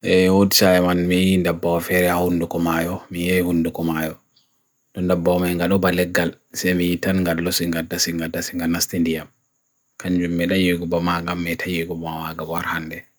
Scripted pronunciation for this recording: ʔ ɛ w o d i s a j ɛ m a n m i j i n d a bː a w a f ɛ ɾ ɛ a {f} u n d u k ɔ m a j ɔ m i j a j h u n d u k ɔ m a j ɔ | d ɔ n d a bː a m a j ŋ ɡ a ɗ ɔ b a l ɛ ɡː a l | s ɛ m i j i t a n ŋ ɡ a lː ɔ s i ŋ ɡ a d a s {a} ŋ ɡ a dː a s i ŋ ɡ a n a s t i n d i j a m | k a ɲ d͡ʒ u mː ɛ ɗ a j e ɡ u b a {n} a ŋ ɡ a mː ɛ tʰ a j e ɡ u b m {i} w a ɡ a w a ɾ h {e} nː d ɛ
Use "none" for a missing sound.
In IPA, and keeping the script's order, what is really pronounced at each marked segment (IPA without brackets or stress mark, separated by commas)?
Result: h, i, m, a, a